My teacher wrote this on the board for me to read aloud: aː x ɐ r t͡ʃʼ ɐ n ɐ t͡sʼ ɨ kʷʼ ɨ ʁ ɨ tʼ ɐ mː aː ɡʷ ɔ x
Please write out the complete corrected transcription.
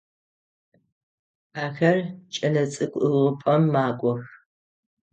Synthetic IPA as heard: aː x ɐ r t͡ʃʼ ɐ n ɐ t͡sʼ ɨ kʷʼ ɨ ʁ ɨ pʼ ɐ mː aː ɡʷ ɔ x